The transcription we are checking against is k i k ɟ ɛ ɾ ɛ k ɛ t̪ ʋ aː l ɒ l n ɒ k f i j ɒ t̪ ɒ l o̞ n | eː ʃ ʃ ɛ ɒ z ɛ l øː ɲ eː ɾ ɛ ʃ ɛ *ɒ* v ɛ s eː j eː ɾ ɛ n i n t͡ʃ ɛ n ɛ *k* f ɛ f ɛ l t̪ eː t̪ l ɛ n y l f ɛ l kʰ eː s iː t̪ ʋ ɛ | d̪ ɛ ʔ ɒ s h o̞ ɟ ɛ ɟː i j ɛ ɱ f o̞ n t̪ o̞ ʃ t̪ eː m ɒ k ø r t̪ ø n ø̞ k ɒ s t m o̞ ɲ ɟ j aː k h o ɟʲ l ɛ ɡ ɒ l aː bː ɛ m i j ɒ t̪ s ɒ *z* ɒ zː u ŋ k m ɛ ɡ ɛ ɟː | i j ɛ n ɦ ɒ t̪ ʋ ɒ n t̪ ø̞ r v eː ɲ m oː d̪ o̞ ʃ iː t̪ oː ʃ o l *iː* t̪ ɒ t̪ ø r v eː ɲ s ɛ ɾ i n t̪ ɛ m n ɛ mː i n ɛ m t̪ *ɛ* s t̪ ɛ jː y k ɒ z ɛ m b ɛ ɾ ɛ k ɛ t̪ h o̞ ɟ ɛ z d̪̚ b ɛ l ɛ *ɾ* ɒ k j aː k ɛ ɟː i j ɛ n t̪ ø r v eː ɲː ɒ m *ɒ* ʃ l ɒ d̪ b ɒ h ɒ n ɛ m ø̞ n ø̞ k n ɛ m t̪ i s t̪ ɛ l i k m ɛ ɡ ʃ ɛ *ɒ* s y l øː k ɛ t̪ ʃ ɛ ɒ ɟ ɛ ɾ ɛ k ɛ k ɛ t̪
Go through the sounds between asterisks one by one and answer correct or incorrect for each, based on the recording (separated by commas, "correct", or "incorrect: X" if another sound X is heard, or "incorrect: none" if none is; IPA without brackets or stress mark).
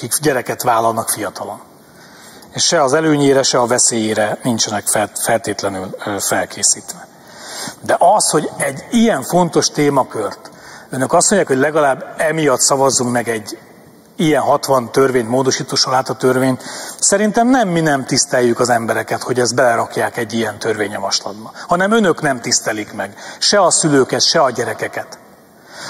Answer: correct, correct, incorrect: v, incorrect: aː, incorrect: i, correct, correct, correct